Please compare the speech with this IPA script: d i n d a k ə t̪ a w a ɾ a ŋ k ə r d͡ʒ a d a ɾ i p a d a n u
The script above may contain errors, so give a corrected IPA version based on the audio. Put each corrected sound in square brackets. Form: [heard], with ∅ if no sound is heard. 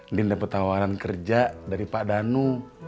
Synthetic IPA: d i n d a [p] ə t̪ a w a ɾ a [n] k ə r d͡ʒ a d a ɾ i p a d a n u